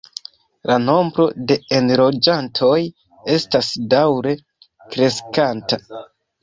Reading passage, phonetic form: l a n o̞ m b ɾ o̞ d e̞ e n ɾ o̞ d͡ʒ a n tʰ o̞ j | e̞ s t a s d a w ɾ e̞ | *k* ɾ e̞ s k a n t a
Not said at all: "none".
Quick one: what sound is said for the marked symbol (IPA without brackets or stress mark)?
k